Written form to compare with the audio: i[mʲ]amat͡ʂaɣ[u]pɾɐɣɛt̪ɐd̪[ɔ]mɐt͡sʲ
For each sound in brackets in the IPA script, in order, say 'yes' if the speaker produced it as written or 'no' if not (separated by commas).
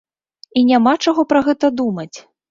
no, no, no